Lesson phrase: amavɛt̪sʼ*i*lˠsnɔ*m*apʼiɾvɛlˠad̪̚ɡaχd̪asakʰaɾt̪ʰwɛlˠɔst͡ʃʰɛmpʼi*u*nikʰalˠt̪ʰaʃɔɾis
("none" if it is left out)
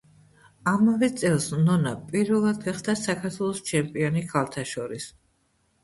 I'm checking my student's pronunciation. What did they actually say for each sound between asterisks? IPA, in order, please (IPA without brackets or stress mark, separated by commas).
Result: ɛ, n, ɔ